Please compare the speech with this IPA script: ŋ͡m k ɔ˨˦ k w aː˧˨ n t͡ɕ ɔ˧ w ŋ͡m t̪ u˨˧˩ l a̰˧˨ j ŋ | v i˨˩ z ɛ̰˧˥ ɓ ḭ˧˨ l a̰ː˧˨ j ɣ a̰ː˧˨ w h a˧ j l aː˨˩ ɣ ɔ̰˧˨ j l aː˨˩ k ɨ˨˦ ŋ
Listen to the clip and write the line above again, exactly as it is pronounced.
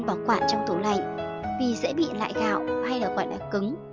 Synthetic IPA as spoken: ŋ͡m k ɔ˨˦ k w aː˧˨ n t͡ɕ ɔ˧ w ŋ͡m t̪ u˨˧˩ l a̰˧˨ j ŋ | v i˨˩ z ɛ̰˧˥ ɓ ḭ˧˨ l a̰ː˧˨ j ɣ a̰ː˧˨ w h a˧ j l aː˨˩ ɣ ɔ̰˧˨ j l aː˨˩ k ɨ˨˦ ŋ